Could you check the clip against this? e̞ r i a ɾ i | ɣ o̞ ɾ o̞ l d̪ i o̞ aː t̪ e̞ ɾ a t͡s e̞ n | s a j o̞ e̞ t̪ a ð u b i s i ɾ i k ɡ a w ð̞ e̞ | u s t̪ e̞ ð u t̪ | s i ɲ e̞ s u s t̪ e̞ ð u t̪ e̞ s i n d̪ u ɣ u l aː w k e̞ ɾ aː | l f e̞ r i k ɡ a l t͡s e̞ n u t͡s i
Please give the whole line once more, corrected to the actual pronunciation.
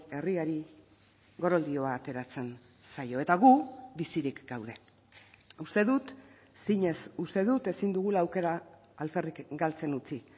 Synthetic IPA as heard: e̞ r i a ɾ i | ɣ o̞ ɾ o̞ l d̪ i o̞ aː t̪ e̞ ɾ a t͡s e̞ n | s a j o̞ e̞ t̪ a ɣ u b i s i ɾ i k ɡ a w ð̞ e̞ | u s t̪ e̞ ð u t̪ | s i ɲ e̞ s u s t̪ e̞ ð u t̪ e̞ s i n d̪ u ɣ u l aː w k e̞ ɾ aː | l f e̞ r i k ɡ a l t͡s e̞ n u t͡s i